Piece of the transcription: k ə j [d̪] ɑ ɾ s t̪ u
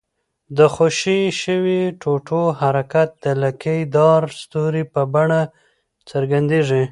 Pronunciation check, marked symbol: correct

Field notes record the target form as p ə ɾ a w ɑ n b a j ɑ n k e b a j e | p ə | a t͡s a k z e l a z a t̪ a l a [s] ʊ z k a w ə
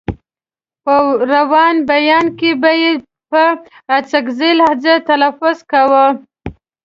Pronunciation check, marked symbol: incorrect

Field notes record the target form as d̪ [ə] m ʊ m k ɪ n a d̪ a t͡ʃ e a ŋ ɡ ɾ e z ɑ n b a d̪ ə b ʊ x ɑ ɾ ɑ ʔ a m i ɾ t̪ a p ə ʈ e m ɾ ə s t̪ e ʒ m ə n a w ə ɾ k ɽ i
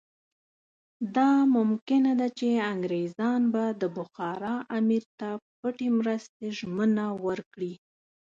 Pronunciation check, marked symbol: incorrect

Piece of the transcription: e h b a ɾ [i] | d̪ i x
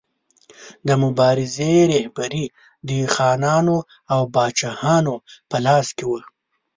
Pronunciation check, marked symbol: correct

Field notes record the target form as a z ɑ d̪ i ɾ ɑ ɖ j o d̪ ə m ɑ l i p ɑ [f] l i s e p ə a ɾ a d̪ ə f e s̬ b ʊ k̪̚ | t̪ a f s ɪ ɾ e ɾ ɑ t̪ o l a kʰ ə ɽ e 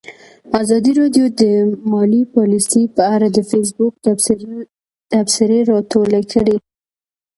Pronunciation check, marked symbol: incorrect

